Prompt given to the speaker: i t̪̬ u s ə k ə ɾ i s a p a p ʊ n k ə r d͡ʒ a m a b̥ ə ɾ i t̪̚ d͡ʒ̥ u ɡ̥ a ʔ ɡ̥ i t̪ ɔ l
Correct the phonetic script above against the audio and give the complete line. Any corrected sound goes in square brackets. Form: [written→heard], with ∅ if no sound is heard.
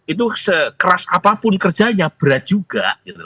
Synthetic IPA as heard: i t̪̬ u s ə k ə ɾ [i→a] s a p a p ʊ n k ə r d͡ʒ a [m→ɲ] a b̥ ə ɾ [i→a] t̪̚ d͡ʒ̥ u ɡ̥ a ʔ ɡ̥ i t̪ [ɔ→u] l